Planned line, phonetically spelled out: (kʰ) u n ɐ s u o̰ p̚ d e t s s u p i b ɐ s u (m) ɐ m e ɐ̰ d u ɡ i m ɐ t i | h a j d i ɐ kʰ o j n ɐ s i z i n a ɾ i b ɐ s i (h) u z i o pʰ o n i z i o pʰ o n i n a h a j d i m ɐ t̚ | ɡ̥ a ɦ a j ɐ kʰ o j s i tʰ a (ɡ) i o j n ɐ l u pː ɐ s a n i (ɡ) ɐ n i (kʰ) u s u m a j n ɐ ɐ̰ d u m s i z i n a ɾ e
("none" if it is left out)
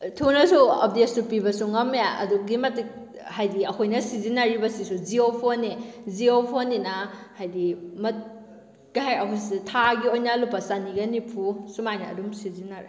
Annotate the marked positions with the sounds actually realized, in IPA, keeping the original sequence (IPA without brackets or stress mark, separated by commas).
tʰ, ŋ, s, ɡ, ɡ, pʰ